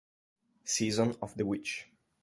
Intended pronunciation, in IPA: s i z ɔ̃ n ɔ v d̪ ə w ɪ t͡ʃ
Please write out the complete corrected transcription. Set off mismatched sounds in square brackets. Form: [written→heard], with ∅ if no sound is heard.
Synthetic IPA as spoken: s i z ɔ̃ n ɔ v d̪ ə w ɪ t͡ʃ